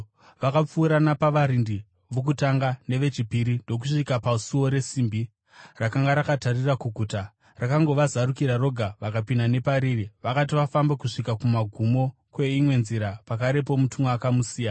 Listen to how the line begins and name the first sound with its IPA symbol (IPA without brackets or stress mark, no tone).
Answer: ʋ